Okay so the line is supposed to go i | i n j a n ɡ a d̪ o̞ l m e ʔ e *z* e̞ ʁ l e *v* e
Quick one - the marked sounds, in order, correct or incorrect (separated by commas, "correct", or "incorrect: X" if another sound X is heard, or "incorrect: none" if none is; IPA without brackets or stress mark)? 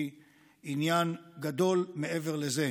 incorrect: v, incorrect: z